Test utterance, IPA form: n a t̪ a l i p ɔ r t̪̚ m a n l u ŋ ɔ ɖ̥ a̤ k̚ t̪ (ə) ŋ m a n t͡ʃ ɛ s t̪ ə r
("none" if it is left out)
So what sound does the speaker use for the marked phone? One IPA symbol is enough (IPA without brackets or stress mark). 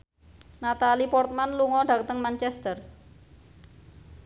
ə